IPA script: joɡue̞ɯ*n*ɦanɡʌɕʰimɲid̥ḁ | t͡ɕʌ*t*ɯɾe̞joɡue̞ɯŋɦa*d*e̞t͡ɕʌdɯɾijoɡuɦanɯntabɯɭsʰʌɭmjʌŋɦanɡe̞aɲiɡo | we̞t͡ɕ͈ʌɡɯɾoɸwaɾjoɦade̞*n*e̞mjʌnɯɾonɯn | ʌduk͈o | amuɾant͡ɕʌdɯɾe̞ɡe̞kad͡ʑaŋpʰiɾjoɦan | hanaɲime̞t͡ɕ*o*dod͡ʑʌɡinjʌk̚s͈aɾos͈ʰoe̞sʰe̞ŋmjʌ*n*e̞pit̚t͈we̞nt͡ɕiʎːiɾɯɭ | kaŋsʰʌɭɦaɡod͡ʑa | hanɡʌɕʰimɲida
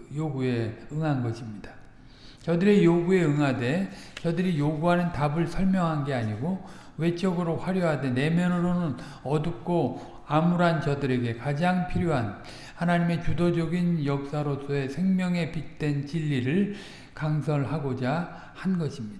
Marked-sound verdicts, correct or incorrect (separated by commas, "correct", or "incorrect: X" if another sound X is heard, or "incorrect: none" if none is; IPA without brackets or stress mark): incorrect: ŋ, incorrect: d, correct, correct, incorrect: u, incorrect: ŋ